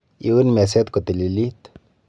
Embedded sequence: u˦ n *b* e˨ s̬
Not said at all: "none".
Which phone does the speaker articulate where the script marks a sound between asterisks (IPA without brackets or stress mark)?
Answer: m